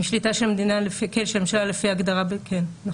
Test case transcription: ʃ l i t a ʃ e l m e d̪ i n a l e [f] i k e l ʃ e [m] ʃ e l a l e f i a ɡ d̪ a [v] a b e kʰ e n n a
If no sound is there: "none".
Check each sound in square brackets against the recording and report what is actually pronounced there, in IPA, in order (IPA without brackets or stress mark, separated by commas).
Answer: f, m, ʁ